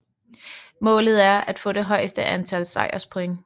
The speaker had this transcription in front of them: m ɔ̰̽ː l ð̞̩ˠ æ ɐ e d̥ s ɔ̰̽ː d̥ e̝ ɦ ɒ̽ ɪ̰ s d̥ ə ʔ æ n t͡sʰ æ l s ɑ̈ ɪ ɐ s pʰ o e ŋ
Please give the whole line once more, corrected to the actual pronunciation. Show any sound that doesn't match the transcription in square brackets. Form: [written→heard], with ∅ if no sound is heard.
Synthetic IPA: m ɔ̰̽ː l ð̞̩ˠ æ ɐ [e→æ] d̥ [s→f] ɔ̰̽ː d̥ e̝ ɦ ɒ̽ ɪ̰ s d̥ ə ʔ æ n t͡sʰ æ l s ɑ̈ ɪ ɐ s pʰ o e ŋ